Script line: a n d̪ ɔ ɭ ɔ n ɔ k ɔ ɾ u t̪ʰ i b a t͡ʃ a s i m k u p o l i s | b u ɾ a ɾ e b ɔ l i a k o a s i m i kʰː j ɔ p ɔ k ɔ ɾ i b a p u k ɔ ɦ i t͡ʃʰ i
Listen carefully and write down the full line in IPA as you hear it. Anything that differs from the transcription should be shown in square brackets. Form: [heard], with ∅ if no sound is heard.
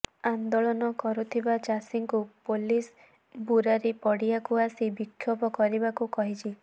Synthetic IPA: a n d̪ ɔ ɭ ɔ n ɔ k ɔ ɾ u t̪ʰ i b a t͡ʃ a s i [ŋ] k u p o l i s | b u ɾ a ɾ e [p] ɔ [ɽ] i a k [u] a s i [b] i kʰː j ɔ p ɔ k ɔ ɾ i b a [k] u k ɔ ɦ i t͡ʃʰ i